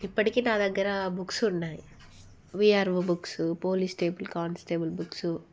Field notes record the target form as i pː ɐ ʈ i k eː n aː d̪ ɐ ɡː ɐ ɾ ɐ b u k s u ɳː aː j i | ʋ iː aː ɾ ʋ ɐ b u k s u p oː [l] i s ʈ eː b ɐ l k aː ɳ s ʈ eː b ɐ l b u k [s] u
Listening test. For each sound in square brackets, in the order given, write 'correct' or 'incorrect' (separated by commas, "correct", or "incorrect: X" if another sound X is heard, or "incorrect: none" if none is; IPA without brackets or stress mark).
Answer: correct, correct